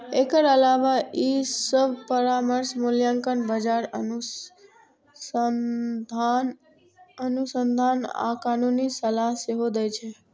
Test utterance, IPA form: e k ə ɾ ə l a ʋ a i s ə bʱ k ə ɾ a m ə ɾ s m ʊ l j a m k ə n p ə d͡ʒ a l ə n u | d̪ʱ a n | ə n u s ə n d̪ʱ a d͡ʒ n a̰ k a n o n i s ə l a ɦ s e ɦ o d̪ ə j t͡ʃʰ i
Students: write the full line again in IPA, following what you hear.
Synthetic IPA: e k ə ɾ ə l a ʋ a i s ə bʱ p ə ɾ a m ə ɾ s m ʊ l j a ŋ k ə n b ə d͡ʒ a ɾ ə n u | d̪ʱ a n | ə n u s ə n d̪ʱ a n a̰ k a n u n i s ə l a ɦ s e ɦ o d̪ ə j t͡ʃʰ e